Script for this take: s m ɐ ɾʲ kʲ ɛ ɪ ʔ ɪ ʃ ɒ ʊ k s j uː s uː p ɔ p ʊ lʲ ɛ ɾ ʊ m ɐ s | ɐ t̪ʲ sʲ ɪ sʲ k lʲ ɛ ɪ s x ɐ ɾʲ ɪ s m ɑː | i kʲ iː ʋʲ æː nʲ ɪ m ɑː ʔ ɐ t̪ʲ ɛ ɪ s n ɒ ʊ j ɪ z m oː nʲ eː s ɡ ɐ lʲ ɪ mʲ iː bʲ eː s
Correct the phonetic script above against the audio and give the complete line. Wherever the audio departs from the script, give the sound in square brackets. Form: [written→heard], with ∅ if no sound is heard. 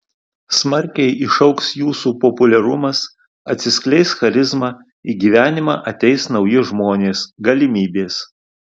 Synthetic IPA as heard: s m ɐ ɾʲ kʲ ɛ ɪ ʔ ɪ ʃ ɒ ʊ k s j uː s uː p ɔ p ʊ lʲ ɛ ɾ ʊ m ɐ s | ɐ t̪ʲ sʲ ɪ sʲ k lʲ ɛ ɪ s x ɐ ɾʲ ɪ [s→z] m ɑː | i [kʲ→ɡʲ] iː ʋʲ æː nʲ ɪ m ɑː ʔ ɐ t̪ʲ ɛ ɪ s n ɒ ʊ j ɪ [z→ʒ] m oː nʲ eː s ɡ ɐ lʲ ɪ mʲ iː bʲ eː s